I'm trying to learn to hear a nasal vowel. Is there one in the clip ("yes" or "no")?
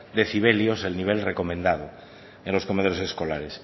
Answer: yes